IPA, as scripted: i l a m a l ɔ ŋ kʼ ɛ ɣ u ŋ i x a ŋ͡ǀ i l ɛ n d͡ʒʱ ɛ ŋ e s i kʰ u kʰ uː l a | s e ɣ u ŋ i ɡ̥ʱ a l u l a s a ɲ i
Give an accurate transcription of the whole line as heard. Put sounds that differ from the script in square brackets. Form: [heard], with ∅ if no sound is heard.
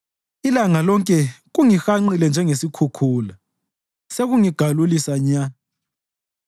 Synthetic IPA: i l a [ŋ] a l ɔ ŋ kʼ ɛ ɣ u ŋ i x a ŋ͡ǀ i l ɛ n d͡ʒʱ ɛ ŋ e s i kʰ u kʰ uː l a | s e ɣ u ŋ i ɡ̥ʱ a l u l [i] s a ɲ [a]